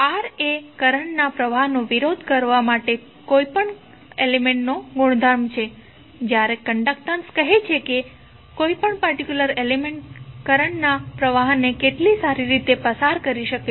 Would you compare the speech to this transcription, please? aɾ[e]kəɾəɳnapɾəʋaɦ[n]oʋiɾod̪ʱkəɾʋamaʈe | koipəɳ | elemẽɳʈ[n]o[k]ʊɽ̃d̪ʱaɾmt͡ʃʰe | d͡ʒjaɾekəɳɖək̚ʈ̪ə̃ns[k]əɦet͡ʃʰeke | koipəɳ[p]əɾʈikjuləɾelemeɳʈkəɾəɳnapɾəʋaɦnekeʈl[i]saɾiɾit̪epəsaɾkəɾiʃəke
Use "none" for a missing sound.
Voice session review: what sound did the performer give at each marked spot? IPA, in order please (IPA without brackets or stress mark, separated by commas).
e, n, n, ɡ, k, p, i